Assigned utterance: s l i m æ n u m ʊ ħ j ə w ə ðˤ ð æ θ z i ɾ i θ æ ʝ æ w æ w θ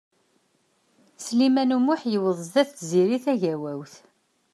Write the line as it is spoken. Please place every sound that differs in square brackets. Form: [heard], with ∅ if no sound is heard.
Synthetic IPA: s l i m æ n u m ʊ ħ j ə w ə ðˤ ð æ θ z i ɾ i θ æ ʝ æ w æ w θ